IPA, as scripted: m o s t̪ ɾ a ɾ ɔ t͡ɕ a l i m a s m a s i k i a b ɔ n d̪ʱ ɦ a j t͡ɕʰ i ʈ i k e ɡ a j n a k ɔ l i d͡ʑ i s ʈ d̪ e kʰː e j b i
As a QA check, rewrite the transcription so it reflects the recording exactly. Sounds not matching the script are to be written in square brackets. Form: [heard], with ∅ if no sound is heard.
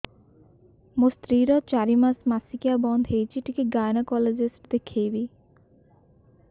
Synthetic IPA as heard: m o s t̪ ɾ [i] ɾ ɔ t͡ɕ a [ɾ] i m a s m a s i k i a b ɔ n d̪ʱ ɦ [e] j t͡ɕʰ i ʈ i k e ɡ a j n a k ɔ l [e] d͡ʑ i s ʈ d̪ e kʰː e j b i